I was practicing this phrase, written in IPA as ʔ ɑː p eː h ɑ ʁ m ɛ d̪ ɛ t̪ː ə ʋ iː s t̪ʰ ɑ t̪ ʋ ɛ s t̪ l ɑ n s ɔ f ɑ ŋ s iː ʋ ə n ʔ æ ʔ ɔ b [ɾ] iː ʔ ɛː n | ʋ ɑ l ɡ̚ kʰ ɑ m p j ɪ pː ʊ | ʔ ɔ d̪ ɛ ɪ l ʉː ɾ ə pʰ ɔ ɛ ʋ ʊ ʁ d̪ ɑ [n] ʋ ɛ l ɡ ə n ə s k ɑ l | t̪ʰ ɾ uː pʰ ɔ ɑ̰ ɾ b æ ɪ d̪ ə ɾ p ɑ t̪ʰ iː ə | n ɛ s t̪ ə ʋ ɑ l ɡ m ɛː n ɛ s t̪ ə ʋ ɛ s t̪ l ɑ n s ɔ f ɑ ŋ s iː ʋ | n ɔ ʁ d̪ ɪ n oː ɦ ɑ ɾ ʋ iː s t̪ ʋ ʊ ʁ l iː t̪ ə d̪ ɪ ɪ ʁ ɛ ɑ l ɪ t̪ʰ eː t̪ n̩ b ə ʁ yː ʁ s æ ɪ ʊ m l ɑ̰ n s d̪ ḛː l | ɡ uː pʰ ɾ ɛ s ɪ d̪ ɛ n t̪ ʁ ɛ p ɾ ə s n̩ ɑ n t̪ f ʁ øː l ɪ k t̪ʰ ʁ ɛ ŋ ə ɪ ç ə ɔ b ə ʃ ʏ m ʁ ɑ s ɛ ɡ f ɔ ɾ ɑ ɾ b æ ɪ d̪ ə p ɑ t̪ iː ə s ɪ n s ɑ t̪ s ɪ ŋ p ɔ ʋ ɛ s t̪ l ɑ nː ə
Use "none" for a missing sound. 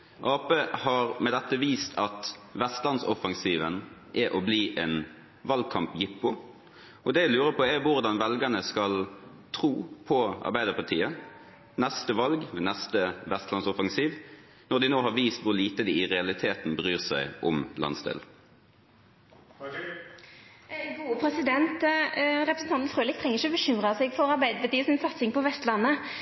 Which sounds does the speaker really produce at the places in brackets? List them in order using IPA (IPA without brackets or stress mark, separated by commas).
l, n